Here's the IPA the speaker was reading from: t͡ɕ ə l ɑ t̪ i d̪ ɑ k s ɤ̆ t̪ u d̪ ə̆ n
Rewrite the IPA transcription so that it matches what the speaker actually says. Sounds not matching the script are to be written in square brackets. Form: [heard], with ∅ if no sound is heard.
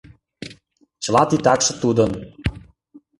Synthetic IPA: t͡ɕ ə l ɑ t̪ i [t̪] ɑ k [ʃ] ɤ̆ t̪ u d̪ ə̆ n